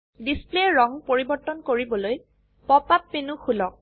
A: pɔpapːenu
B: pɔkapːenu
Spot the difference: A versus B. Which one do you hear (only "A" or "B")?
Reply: A